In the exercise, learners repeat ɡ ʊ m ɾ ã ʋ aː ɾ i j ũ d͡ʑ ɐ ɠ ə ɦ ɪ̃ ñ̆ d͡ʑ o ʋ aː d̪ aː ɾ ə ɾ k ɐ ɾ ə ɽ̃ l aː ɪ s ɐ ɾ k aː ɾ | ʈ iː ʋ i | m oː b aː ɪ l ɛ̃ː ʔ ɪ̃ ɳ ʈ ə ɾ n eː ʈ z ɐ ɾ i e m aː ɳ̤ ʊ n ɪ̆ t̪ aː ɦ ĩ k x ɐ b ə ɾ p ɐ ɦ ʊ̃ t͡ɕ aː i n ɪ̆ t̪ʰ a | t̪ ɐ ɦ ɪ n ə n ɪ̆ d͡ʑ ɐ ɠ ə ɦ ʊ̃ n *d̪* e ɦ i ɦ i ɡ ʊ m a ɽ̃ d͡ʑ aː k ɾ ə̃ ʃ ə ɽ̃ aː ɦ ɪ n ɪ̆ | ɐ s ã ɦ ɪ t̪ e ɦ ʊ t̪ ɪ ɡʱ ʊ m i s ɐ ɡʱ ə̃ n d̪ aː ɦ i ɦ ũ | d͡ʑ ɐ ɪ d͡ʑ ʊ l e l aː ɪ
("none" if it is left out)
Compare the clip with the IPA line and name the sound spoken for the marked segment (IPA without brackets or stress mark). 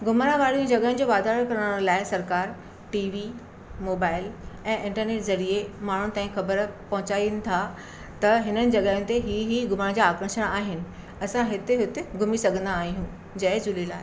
t̪